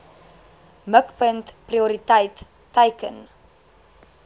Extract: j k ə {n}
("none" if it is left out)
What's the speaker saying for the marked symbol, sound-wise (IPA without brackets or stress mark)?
n